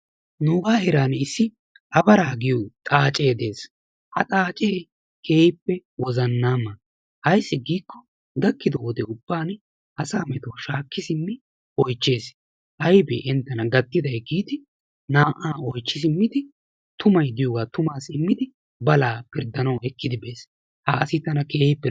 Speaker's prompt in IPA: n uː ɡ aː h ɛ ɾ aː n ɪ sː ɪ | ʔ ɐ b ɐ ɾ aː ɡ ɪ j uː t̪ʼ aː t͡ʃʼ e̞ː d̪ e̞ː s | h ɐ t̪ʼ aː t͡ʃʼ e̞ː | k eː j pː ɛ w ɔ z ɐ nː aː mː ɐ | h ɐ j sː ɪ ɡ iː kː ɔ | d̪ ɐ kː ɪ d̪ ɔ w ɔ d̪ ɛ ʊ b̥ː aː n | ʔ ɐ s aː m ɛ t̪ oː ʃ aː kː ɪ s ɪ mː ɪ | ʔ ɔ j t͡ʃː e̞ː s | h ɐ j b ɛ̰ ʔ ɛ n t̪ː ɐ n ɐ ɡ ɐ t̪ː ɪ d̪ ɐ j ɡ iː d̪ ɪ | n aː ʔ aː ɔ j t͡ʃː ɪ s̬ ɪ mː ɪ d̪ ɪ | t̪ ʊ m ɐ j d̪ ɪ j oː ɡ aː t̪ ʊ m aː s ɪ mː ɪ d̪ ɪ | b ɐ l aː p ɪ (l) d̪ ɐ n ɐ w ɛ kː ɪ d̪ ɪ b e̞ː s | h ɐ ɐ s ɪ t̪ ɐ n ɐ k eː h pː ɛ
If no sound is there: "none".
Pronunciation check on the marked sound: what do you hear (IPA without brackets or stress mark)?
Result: ɾ